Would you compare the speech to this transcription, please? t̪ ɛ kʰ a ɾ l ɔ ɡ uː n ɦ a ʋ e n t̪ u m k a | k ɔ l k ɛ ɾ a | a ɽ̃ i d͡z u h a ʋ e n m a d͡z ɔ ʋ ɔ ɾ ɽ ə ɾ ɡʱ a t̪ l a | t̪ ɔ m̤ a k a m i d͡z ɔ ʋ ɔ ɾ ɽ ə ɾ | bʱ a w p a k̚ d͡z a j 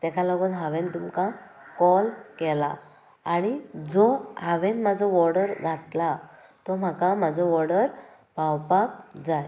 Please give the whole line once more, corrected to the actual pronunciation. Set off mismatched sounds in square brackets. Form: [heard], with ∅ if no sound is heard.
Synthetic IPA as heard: t̪ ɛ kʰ a [∅] l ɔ ɡ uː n ɦ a ʋ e n t̪ u m k a | k ɔ l k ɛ [l] a | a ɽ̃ i d͡z [ɔ] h a ʋ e n m a d͡z ɔ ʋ ɔ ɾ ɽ ə ɾ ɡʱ a t̪ l a | t̪ ɔ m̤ a k a m [a] d͡z ɔ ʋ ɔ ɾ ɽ ə ɾ | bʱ a w p a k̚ d͡z a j